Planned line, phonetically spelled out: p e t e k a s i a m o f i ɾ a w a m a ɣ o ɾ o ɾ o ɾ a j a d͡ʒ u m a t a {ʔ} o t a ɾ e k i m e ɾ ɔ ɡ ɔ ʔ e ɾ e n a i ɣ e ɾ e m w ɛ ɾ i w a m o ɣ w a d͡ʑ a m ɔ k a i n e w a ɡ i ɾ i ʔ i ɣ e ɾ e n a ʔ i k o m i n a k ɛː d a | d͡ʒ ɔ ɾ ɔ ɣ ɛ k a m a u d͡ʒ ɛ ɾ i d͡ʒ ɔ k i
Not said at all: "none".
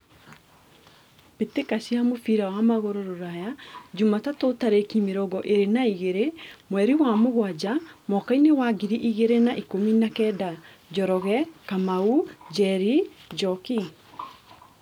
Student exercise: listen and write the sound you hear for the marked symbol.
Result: t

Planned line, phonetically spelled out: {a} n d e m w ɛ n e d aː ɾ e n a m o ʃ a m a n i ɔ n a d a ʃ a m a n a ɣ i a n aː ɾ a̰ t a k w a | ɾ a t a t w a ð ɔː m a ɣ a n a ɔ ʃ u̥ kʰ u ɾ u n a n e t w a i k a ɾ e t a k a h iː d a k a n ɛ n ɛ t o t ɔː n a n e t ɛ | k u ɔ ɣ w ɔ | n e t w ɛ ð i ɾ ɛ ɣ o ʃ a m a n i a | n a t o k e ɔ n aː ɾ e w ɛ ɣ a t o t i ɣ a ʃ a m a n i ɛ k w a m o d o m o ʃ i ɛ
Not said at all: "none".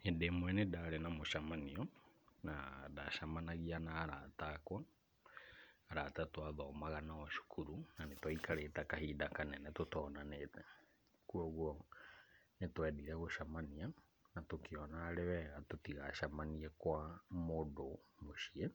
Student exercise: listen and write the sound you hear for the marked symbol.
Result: e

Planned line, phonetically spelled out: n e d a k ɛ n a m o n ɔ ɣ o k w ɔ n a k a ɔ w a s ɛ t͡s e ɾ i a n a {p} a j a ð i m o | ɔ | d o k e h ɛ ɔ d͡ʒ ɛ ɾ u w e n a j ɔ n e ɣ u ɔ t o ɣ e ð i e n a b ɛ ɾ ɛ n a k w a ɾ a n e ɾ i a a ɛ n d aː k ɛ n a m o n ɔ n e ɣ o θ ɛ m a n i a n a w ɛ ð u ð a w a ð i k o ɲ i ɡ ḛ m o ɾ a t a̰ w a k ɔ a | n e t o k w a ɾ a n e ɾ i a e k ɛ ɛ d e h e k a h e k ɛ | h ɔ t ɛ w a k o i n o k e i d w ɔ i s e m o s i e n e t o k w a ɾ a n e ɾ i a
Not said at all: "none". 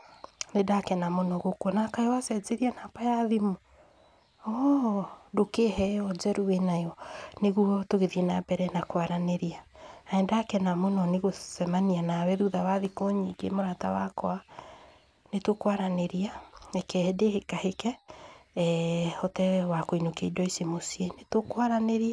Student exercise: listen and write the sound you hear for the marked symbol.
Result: p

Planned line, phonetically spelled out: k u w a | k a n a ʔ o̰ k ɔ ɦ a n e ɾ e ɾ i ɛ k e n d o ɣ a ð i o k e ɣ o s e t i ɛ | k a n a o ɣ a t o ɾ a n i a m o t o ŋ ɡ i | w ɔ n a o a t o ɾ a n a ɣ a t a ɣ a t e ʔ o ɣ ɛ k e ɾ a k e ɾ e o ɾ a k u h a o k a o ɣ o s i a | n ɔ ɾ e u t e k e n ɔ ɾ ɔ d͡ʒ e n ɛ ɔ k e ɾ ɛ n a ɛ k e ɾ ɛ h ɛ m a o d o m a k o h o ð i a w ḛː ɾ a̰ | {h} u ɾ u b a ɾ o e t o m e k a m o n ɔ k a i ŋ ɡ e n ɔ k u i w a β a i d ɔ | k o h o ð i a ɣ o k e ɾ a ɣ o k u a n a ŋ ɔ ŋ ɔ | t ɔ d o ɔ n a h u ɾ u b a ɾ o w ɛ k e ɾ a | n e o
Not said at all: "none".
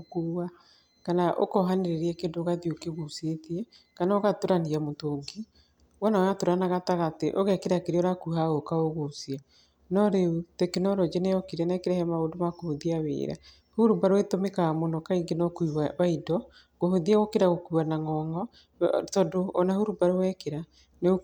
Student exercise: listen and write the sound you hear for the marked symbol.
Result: h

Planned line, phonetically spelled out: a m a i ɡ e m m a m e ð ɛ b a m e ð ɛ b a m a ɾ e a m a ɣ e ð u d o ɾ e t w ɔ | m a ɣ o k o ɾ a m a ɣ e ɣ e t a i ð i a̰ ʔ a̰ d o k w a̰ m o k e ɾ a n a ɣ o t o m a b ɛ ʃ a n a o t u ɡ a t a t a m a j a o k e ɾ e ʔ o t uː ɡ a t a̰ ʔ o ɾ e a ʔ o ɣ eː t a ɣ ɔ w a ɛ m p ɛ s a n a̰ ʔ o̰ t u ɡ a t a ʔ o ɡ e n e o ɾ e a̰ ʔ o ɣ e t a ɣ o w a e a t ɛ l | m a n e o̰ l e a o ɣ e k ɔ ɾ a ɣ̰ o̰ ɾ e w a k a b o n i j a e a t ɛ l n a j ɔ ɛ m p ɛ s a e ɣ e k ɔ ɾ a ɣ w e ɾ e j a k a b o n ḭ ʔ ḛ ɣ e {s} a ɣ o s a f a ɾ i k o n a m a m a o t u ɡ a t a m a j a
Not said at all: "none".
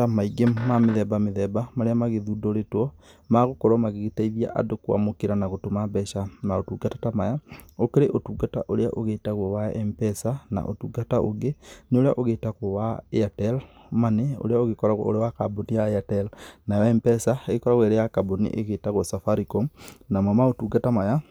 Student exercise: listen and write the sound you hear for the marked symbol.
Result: t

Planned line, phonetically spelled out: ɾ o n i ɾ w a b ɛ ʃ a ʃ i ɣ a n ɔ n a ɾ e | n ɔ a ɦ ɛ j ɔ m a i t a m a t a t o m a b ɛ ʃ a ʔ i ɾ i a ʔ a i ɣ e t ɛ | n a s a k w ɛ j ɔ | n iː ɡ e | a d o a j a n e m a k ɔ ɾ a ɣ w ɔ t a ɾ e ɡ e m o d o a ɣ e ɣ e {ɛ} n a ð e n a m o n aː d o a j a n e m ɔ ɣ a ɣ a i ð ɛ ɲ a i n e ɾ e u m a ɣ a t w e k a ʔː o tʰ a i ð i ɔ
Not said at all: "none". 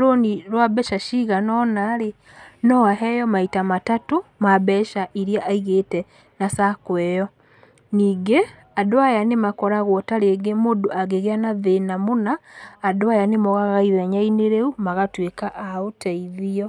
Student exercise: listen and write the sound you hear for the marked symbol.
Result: a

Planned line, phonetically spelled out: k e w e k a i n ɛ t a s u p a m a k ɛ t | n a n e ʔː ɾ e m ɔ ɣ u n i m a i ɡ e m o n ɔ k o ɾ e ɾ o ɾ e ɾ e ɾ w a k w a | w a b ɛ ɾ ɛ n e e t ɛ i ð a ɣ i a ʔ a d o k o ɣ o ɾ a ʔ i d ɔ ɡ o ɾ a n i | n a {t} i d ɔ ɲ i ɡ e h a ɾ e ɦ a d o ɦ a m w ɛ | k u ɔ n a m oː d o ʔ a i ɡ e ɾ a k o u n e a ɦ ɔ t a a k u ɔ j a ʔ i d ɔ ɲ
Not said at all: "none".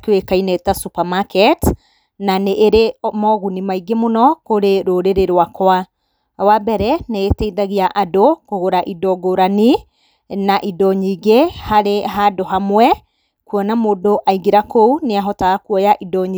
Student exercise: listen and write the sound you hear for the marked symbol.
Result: ʔ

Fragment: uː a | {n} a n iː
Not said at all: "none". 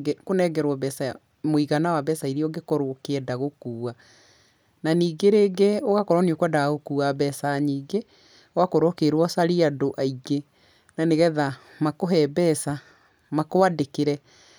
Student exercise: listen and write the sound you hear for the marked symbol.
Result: n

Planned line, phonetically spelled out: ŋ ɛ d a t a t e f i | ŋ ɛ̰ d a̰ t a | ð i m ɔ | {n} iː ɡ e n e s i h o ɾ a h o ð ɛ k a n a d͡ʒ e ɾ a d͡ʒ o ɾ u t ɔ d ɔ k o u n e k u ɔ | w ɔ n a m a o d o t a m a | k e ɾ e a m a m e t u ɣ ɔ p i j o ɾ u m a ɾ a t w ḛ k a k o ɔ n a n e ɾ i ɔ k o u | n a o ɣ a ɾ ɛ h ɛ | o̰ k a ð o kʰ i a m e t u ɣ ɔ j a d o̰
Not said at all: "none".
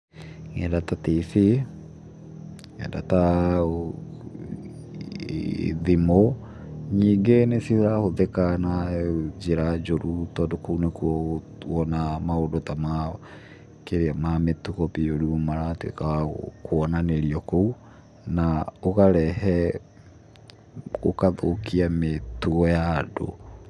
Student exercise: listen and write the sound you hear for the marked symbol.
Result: ɲ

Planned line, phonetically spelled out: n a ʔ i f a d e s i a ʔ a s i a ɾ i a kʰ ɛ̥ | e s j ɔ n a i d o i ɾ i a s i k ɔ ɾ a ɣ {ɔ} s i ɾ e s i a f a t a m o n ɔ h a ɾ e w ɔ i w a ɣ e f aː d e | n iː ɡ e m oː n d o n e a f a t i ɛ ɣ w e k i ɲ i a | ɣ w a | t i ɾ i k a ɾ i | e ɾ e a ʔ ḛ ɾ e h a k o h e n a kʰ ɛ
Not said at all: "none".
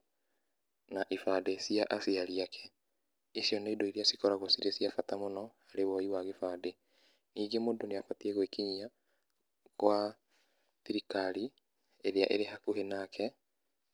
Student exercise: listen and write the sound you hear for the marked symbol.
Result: o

